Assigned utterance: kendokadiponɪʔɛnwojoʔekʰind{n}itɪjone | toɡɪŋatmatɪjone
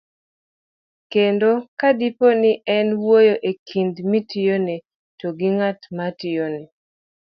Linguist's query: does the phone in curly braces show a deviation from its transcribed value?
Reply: yes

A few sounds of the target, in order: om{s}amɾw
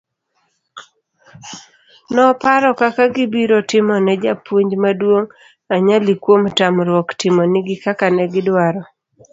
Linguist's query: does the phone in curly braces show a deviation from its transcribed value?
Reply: yes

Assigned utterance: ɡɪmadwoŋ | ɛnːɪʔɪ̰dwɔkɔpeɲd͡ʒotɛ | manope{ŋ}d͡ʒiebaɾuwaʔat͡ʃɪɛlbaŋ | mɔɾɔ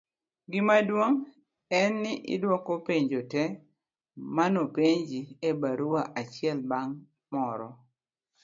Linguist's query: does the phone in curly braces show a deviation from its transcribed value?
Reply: yes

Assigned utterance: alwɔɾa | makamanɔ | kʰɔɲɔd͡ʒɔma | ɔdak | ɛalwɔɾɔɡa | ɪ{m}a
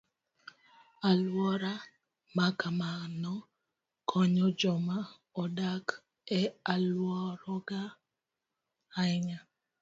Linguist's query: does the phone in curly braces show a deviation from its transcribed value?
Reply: yes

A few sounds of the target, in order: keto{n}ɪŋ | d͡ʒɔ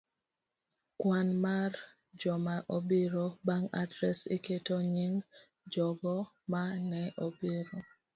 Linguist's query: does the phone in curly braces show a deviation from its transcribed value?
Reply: yes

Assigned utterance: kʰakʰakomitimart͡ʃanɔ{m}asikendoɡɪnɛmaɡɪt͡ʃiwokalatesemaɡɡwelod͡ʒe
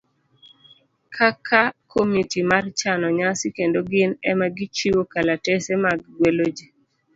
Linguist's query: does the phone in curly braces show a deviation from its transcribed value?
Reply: yes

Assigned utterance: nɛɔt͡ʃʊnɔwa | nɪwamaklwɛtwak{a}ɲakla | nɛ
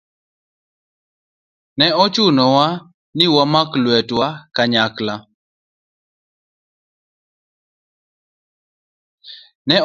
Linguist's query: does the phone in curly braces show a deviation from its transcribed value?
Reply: no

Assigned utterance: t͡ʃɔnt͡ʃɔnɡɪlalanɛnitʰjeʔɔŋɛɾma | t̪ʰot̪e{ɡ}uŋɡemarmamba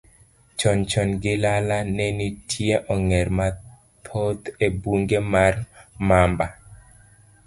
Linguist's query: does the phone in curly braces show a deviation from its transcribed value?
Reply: yes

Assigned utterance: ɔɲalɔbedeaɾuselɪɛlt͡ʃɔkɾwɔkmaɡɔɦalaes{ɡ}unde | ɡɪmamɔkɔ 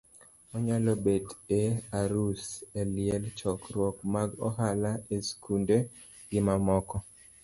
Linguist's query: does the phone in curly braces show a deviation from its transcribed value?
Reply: yes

